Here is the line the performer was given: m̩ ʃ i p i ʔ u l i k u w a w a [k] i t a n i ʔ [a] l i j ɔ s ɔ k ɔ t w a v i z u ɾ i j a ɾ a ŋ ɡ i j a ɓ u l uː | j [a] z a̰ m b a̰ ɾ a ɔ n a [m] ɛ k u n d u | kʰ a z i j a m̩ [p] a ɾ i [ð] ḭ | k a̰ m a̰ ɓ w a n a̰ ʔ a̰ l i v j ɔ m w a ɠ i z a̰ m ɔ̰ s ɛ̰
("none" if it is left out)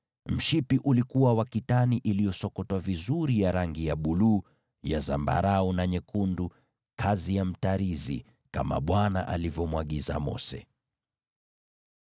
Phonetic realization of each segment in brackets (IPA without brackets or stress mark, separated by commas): k, i, a, ɲ, t, z